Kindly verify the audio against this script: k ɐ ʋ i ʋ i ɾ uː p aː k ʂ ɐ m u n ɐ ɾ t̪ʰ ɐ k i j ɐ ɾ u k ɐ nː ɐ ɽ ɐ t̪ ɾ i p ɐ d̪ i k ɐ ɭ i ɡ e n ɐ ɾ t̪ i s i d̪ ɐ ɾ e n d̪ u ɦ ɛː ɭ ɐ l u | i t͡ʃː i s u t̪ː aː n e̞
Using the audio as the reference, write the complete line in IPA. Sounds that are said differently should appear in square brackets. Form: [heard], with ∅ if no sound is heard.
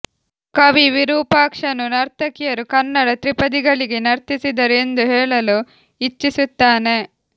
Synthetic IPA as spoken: k ɐ ʋ i ʋ i ɾ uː p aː k ʂ ɐ [n] u n ɐ ɾ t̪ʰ ɐ k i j ɐ ɾ u k ɐ nː ɐ ɽ ɐ t̪ ɾ i p ɐ d̪ i [ɡ] ɐ ɭ i ɡ e n ɐ ɾ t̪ i s i d̪ ɐ ɾ e n d̪ u ɦ ɛː ɭ ɐ l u | i t͡ʃː i s u t̪ː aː n e̞